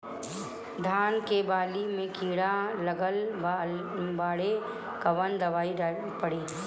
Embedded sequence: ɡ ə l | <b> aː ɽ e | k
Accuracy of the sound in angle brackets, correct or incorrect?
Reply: correct